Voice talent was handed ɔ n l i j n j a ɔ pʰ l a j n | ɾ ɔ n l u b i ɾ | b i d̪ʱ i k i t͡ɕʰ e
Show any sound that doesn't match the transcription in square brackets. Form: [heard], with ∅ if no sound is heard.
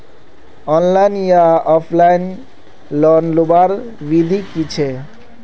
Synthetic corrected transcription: ɔ n l [a] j n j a ɔ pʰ l a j n | [l] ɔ n l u b [a] ɾ | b i d̪ʱ i k i t͡ɕʰ e